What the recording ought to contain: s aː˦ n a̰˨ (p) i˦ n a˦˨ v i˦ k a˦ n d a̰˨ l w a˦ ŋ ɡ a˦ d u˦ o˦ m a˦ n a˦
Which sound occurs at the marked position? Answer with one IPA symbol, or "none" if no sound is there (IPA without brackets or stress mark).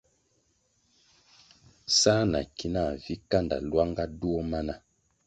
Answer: k